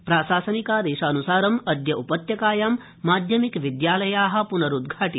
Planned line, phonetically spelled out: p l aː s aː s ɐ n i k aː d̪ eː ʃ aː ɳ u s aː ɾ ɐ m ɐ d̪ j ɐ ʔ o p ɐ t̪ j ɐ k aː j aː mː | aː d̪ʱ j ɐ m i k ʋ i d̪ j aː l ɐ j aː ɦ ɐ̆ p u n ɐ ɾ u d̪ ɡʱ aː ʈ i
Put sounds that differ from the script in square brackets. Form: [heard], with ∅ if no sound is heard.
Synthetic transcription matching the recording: p [ɾ] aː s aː s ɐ n i k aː d̪ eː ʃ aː [n] u s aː ɾ ɐ m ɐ d̪ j ɐ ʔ [u] p ɐ t̪ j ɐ k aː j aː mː | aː d̪ʱ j ɐ m i k ʋ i d̪ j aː l ɐ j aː ɦ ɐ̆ p u n ɐ ɾ u d̪ ɡʱ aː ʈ i